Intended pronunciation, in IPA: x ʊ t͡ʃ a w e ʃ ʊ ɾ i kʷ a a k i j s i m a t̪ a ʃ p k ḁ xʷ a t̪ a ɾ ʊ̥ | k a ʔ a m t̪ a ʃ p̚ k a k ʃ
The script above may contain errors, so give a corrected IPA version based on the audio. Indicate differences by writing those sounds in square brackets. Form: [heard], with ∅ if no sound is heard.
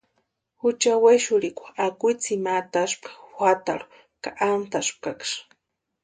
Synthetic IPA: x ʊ t͡ʃ a w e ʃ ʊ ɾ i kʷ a a k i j [t͡s] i m a t̪ a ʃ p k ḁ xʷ a t̪ a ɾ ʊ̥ | k a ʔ a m t̪ a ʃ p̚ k a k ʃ